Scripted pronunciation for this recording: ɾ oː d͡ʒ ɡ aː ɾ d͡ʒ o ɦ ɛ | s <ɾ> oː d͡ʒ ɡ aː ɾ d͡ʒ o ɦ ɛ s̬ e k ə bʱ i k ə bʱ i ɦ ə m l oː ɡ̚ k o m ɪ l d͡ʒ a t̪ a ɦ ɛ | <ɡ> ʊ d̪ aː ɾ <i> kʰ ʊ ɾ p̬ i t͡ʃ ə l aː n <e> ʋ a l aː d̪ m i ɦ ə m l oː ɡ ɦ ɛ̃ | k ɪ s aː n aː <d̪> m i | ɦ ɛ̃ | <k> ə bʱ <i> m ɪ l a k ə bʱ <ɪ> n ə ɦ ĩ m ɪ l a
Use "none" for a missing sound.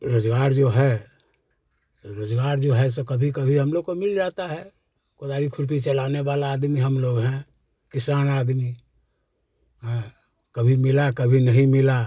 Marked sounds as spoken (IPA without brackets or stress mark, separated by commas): ɾ, k, i, e, d̪, k, i, i